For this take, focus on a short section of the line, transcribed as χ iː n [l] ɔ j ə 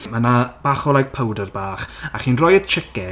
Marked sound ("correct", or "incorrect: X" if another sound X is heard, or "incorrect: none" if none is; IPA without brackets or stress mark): incorrect: r